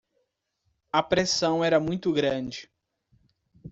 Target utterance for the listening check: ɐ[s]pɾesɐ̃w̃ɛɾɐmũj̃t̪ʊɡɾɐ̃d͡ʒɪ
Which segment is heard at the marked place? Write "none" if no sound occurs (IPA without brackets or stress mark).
none